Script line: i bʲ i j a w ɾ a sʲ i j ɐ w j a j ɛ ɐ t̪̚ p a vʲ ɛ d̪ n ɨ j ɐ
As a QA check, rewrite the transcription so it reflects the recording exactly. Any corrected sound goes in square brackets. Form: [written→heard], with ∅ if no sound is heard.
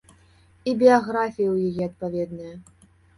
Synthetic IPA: i bʲ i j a [w→ɣ] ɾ a [sʲ→fʲ] i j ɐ w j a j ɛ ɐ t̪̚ p a vʲ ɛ d̪ n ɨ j ɐ